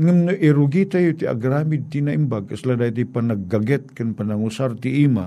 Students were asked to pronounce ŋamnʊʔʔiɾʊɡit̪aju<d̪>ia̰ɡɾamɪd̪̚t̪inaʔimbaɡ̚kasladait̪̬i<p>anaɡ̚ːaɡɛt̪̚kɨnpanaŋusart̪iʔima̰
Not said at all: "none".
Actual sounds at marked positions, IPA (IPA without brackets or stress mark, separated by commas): t̪, p